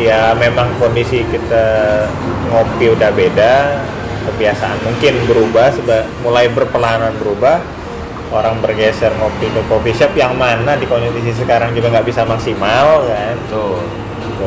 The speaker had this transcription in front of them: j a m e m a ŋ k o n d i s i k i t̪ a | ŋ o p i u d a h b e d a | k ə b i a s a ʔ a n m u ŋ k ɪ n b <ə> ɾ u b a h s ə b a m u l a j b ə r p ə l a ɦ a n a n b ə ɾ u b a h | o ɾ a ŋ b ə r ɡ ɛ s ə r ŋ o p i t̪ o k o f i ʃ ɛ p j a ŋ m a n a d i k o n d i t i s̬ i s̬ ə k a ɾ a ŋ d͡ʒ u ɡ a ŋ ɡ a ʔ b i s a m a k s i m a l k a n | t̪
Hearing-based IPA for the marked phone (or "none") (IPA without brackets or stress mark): ə